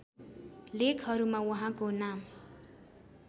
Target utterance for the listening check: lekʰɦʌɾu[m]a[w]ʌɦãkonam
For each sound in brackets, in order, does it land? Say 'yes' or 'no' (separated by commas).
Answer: yes, yes